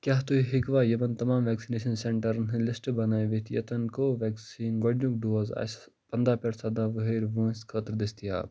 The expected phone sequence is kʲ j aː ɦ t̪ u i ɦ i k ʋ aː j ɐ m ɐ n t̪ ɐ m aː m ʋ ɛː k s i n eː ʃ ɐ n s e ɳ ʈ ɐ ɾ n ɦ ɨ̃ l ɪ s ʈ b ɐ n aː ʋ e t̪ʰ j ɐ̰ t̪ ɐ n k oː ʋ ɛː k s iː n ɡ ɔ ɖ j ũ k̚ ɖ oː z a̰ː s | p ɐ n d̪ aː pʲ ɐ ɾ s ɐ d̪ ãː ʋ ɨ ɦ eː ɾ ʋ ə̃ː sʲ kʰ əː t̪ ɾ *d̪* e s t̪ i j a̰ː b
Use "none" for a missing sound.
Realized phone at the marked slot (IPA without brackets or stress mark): d̪